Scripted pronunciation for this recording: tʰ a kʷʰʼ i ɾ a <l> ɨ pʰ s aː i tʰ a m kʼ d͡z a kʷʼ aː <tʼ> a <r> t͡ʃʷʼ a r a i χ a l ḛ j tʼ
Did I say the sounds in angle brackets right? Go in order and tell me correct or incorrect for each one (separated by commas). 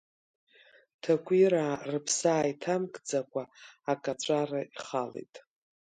incorrect, incorrect, incorrect